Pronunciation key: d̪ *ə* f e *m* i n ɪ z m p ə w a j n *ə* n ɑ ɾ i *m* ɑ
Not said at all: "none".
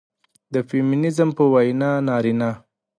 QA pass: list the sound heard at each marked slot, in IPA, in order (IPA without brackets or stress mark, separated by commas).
ə, m, ɑ, n